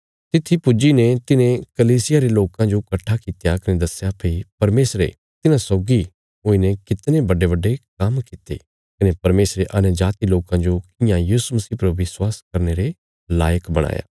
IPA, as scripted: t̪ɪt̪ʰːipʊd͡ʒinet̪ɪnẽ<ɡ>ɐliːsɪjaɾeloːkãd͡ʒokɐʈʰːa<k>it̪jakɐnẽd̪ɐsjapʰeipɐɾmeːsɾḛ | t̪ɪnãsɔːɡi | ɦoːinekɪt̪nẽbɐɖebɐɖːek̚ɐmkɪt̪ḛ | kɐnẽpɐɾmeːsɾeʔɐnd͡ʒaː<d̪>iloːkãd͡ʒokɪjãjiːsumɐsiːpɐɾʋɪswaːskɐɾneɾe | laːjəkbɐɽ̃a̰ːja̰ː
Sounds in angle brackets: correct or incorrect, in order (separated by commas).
incorrect, correct, incorrect